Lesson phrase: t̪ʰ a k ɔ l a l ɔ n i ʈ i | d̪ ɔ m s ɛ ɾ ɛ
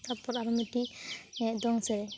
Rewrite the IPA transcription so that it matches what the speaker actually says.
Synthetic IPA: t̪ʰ a p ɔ ɾ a ɾ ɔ m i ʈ i | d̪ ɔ ŋ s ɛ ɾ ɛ